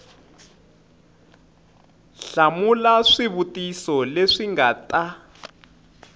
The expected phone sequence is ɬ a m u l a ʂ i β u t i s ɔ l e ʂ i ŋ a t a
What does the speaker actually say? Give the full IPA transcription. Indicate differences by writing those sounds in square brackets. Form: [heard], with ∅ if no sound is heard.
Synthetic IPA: ɬ a m u l a ʂ i β u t i s ɔ l e ʂ i ŋ a t a